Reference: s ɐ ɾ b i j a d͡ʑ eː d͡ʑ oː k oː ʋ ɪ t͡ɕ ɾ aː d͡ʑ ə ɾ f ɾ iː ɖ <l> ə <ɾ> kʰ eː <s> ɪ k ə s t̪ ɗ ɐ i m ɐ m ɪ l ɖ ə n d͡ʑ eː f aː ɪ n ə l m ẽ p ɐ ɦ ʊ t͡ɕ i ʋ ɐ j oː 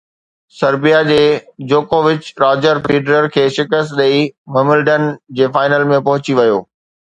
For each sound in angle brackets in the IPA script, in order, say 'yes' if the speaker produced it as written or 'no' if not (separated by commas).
no, yes, no